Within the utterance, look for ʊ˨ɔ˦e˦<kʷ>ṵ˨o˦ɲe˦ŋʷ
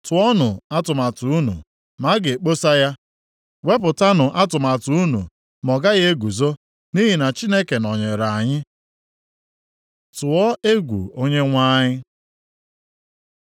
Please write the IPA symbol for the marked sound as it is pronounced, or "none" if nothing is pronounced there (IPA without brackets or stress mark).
ɡʷ